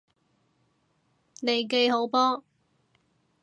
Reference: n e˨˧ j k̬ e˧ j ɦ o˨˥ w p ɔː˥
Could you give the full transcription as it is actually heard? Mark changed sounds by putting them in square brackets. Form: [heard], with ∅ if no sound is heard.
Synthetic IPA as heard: n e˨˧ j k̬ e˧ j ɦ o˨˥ w p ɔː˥